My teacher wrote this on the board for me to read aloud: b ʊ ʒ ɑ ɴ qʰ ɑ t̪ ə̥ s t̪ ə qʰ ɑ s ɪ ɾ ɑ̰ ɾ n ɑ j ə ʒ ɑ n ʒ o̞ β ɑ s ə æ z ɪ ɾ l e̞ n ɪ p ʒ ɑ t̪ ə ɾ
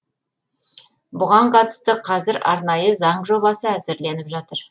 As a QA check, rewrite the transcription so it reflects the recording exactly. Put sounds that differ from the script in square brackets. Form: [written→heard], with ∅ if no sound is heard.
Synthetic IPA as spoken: b ʊ [ʒ→ʁ] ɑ ɴ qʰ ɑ t̪ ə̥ s t̪ ə qʰ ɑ [s→z] ɪ ɾ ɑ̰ ɾ n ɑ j ə [ʒ→z] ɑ [n→ɴ] ʒ o̞ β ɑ s ə æ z ɪ ɾ l e̞ n ɪ p ʒ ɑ t̪ ə ɾ

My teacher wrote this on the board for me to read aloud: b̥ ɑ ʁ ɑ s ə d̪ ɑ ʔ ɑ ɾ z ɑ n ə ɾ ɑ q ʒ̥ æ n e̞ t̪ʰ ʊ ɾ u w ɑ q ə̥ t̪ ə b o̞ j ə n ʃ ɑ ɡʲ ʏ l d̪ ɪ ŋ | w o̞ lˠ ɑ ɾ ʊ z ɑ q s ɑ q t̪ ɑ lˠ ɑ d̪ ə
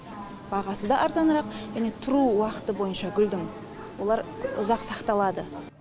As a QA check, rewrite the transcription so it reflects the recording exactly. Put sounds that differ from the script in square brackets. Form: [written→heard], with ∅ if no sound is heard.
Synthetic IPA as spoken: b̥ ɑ ʁ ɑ s ə d̪ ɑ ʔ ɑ ɾ z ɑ n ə ɾ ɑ q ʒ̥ æ n e̞ t̪ʰ ʊ ɾ u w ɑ q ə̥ t̪ ə b o̞ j ə n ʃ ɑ ɡʲ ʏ l d̪ ɪ ŋ | w o̞ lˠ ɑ ɾ ʊ z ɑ q s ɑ q t̪ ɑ lˠ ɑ d̪ ə

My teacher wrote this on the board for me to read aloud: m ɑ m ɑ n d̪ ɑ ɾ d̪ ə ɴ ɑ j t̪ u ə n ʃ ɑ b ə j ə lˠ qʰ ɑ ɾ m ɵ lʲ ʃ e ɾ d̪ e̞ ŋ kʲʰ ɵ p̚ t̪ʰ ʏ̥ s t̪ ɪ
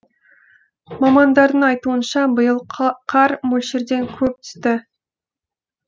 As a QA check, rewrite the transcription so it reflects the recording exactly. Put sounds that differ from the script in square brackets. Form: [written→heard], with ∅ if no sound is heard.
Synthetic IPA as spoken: m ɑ m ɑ n d̪ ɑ ɾ d̪ ə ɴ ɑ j t̪ u ə n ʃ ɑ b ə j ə lˠ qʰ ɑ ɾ m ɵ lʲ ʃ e ɾ d̪ e̞ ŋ kʲʰ ɵ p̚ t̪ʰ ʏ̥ s t̪ ɪ

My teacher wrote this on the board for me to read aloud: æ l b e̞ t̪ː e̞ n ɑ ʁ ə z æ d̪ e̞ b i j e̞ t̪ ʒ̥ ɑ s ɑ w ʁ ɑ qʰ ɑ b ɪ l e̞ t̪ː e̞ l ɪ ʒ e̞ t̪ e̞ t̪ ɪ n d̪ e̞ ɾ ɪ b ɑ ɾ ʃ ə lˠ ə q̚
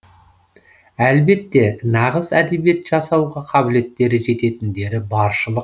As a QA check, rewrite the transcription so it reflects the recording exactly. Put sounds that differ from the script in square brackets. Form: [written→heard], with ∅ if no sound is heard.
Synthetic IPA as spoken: æ l b e̞ t̪ː e̞ n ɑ ʁ ə z æ d̪ e̞ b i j e̞ t̪ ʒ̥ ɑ s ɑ w ʁ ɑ qʰ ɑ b ɪ l e̞ t̪ː e̞ [l→ɾ] ɪ ʒ e̞ t̪ e̞ t̪ ɪ n d̪ e̞ ɾ ɪ b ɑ ɾ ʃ ə lˠ ə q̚

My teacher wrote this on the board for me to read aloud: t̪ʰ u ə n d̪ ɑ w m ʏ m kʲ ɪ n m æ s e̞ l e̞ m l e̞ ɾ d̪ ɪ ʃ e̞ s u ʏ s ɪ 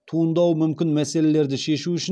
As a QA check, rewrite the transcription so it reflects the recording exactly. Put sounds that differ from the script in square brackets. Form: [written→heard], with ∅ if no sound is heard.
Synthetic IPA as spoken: t̪ʰ u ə n d̪ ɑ w m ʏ m kʲ ɪ n m æ s e̞ l e̞ [m→∅] l e̞ ɾ d̪ ɪ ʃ e̞ [s→ʃ] u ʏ [s→ʃ] ɪ

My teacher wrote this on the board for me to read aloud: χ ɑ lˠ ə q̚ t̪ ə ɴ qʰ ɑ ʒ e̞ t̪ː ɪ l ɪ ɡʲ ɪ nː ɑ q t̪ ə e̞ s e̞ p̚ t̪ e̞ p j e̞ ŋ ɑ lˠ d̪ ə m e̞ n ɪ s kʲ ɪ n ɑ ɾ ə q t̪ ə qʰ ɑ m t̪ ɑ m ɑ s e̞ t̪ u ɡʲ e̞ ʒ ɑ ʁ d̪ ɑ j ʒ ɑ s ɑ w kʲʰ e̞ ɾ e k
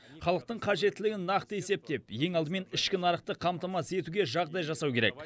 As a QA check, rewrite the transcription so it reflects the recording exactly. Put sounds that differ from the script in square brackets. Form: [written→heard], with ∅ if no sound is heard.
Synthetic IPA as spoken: χ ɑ lˠ ə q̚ t̪ ə ɴ qʰ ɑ ʒ e̞ t̪ː ɪ l ɪ ɡʲ ɪ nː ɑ q t̪ ə e̞ s e̞ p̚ t̪ e̞ p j e̞ ŋ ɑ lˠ d̪ ə m e̞ n ɪ [s→ʃ] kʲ ɪ n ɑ ɾ ə q t̪ ə qʰ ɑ m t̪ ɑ m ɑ s e̞ t̪ u ɡʲ e̞ ʒ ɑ ʁ d̪ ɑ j ʒ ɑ s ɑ w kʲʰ e̞ ɾ e k

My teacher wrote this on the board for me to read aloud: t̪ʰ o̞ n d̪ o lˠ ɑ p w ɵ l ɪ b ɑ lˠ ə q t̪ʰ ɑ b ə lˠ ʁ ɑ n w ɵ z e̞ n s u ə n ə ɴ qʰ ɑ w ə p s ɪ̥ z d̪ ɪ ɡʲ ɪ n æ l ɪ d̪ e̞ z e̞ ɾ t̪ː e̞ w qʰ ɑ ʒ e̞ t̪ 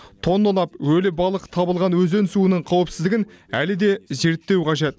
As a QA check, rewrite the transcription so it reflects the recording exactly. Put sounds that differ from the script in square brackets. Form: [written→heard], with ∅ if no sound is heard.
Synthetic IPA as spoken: t̪ʰ o̞ n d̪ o lˠ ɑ p w ɵ l ɪ b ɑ lˠ ə q t̪ʰ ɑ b ə lˠ ʁ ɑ n w ɵ z e̞ n s u ə n ə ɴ qʰ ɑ w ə p s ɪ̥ z d̪ ɪ ɡʲ ɪ n æ l ɪ d̪ e̞ z e̞ ɾ t̪ː e̞ w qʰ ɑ ʒ e̞ t̪

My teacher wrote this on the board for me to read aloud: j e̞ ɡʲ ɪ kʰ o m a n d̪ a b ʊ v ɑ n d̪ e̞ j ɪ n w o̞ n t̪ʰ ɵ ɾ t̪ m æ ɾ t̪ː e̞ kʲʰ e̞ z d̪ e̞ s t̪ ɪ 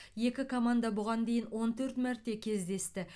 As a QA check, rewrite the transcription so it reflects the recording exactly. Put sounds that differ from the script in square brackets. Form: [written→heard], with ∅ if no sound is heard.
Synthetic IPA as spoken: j e̞ [ɡʲ→kʲ] ɪ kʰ o m a n d̪ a b ʊ [v→ʁ] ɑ n d̪ e̞ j ɪ n w o̞ n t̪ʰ ɵ ɾ t̪ m æ ɾ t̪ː e̞ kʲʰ e̞ z d̪ e̞ s t̪ ɪ

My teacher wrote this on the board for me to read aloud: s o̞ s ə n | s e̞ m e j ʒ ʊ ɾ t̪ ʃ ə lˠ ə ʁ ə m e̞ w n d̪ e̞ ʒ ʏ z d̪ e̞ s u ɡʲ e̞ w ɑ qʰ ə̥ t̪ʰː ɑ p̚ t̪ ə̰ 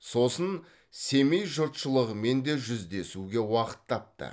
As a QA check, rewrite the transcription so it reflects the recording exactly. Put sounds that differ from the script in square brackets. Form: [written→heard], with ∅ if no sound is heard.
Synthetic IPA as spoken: s o̞ s ə n | s e̞ m e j ʒ ʊ ɾ t̪ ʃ ə lˠ ə ʁ ə m e̞ [w→∅] n d̪ e̞ ʒ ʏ z d̪ e̞ s u ɡʲ e̞ w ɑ [qʰ→q] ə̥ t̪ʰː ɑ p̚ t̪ ə̰

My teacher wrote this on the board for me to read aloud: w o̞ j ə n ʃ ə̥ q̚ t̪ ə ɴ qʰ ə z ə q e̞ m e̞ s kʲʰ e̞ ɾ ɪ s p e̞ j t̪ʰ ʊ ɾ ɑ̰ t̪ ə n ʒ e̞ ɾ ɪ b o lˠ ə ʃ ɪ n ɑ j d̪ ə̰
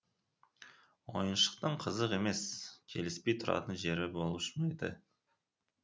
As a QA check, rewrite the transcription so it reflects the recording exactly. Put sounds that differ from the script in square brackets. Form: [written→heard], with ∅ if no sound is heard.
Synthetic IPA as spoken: w o̞ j ə n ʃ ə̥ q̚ t̪ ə ɴ qʰ ə z ə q e̞ m e̞ s kʲʰ e̞ [ɾ→l] ɪ s p e̞ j t̪ʰ ʊ ɾ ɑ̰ t̪ ə n ʒ e̞ ɾ ɪ b o lˠ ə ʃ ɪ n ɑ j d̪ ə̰

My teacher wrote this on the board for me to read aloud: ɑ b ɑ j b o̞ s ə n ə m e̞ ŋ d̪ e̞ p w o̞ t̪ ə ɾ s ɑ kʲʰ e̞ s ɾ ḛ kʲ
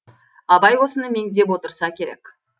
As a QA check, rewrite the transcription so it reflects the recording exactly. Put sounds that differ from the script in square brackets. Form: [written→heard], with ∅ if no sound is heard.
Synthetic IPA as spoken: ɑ b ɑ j [b→w] o̞ s ə n ə m e̞ ŋ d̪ e̞ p w o̞ t̪ ə ɾ s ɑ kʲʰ e̞ [s→∅] ɾ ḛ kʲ

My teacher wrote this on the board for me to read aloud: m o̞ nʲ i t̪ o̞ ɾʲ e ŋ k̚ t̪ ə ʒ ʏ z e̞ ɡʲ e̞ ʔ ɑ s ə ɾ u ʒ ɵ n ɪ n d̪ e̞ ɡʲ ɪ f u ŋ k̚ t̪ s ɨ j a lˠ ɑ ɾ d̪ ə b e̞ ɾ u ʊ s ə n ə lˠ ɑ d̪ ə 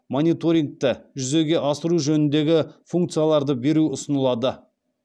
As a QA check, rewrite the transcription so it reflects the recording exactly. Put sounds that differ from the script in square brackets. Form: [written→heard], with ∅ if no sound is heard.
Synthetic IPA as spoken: m o̞ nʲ i t̪ o̞ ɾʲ [e→i] ŋ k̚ t̪ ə ʒ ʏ z e̞ ɡʲ e̞ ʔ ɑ s ə ɾ u ʒ ɵ n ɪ n d̪ e̞ ɡʲ ɪ f u ŋ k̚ t̪ s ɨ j a lˠ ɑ ɾ d̪ ə b e̞ ɾ u ʊ s ə n ə lˠ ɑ d̪ ə

